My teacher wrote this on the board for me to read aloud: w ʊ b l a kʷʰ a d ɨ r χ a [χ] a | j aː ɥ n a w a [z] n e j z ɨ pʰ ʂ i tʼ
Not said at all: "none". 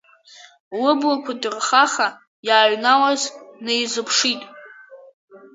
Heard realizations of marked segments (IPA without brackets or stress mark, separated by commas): χ, z